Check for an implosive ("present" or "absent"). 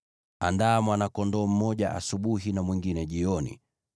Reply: present